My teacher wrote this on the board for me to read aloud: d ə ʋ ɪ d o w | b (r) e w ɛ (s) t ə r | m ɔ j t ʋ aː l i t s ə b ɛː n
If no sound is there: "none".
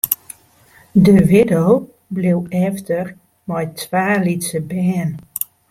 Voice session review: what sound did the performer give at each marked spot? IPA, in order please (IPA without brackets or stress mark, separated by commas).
l, f